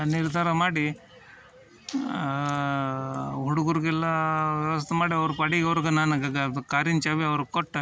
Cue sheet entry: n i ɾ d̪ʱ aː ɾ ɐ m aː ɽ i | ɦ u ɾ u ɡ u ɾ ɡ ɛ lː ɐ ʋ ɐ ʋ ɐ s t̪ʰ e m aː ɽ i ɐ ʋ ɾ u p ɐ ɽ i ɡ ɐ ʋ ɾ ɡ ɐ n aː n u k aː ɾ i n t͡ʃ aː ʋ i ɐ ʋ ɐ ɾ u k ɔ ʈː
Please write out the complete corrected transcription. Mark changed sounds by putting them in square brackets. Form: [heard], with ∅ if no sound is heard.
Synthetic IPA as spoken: n i ɾ d̪ʱ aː ɾ ɐ m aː ɽ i | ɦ u [ɽ] u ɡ u ɾ ɡ ɛ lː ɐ ʋ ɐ ʋ ɐ s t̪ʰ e m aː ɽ i ɐ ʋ ɾ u p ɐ ɽ i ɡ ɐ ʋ ɾ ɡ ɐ n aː n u k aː ɾ i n t͡ʃ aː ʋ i ɐ ʋ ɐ ɾ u k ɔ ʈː